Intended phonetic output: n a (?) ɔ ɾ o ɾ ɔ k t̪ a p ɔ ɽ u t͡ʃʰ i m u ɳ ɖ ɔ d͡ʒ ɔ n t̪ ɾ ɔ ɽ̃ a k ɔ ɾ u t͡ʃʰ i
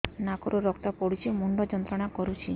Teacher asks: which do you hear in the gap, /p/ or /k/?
k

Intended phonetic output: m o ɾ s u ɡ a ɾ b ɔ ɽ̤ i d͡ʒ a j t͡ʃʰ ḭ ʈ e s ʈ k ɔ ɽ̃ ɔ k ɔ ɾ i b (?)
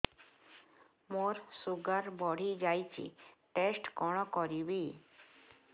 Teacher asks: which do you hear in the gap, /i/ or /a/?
i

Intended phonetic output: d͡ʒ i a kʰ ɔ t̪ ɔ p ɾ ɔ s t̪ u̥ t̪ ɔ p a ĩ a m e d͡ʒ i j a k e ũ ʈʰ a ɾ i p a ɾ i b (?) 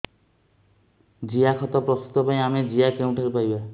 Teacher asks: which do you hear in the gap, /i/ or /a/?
a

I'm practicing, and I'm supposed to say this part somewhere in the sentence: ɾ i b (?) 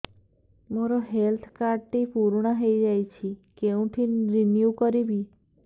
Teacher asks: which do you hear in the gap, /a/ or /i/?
i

